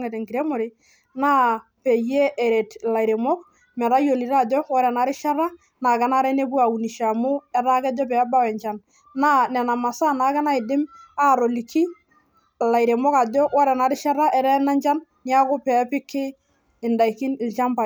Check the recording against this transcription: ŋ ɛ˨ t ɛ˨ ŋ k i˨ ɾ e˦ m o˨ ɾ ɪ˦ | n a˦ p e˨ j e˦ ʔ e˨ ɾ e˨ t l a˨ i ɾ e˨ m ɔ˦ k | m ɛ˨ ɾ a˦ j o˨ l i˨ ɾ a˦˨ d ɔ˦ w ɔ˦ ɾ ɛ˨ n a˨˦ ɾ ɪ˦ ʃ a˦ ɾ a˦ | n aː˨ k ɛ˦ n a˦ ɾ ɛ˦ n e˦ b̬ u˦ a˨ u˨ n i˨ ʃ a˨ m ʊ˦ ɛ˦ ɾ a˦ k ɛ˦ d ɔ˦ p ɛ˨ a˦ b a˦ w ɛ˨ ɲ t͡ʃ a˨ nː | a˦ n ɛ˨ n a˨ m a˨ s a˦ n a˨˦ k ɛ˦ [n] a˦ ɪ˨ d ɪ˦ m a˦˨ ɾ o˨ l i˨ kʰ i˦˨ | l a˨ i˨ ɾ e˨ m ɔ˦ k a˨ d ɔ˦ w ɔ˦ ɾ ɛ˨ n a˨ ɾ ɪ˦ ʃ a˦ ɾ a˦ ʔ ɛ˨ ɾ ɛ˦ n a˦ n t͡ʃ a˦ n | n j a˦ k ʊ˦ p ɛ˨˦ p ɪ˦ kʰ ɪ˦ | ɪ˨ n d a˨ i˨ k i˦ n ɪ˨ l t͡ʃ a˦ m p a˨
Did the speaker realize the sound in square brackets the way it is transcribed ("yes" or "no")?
yes